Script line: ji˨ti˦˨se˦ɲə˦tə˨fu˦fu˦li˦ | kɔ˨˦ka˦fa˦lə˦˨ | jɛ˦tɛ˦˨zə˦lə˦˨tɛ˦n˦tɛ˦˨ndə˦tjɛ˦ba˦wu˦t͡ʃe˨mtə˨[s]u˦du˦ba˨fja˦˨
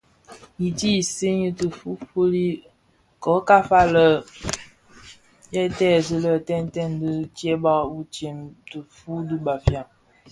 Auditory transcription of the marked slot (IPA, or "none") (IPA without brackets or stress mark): f